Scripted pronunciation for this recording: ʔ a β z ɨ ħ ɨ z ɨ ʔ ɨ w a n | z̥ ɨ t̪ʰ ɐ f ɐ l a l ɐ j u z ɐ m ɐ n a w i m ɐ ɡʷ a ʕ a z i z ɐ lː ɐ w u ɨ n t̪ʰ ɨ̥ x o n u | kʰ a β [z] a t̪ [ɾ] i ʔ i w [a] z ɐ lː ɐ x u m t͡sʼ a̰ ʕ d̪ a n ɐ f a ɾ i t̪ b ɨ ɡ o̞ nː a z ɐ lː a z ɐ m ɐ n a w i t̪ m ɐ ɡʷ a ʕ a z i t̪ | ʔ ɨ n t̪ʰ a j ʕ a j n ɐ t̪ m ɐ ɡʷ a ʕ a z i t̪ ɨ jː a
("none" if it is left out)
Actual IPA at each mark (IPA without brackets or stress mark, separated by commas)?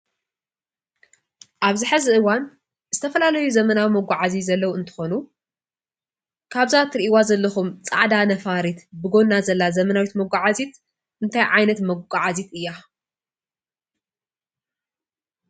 z, ɾ, a